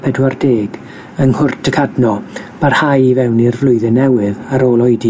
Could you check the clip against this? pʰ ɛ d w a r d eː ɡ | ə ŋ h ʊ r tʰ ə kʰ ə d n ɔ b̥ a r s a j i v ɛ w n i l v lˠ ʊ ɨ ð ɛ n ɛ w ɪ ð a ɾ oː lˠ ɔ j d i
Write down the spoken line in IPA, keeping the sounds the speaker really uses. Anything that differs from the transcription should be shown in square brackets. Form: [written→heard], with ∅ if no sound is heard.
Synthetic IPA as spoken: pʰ ɛ d w a r d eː ɡ | ə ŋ h ʊ r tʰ ə kʰ [ə→a] d n ɔ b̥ a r [s→h] a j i v ɛ w n i [l→r] v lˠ ʊ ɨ ð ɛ n ɛ w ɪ ð a ɾ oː lˠ ɔ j d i